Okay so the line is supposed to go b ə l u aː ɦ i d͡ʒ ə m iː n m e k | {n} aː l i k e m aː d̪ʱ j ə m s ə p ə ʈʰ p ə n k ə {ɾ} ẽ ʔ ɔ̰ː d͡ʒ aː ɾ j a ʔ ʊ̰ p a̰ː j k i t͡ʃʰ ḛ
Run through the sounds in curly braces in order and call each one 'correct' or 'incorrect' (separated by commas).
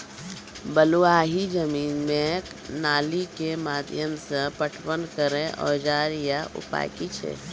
correct, correct